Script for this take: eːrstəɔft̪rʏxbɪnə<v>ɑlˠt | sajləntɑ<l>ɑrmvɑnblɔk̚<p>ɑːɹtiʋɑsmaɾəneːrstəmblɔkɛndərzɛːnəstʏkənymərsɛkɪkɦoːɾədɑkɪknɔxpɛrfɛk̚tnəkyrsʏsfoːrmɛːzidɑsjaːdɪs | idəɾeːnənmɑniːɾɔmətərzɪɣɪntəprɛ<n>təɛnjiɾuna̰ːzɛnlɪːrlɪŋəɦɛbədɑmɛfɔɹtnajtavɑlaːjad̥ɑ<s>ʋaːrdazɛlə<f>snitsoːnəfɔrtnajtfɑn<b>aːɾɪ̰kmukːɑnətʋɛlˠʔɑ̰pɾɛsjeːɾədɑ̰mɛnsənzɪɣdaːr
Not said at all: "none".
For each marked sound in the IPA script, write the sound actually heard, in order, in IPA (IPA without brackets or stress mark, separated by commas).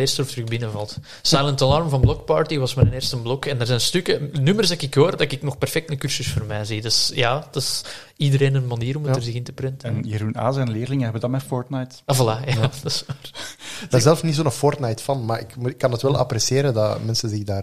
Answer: v, l, p, n, s, f, m